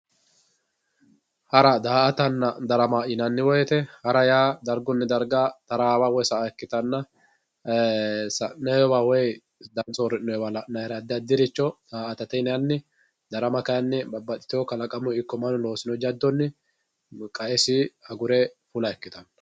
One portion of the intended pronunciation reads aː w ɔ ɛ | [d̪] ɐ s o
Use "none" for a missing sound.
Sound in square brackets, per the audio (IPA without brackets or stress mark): d̪